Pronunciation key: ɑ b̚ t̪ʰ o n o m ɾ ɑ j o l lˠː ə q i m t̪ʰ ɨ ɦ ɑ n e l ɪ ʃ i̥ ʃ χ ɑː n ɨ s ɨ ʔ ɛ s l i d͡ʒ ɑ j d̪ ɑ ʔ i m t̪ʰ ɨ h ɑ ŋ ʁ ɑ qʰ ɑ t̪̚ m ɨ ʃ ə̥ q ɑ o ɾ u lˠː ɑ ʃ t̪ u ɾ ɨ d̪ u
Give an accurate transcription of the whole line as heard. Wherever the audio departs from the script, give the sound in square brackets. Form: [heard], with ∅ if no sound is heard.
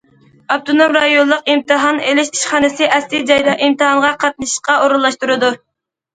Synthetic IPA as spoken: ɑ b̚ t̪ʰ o n o m ɾ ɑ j o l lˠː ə q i m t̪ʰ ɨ ɦ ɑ n e l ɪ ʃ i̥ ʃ χ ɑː n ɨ s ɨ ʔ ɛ s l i d͡ʒ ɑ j d̪ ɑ ʔ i m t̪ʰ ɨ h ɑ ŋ ʁ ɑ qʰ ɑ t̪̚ [n] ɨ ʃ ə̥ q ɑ o ɾ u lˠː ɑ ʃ t̪ u ɾ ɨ d̪ u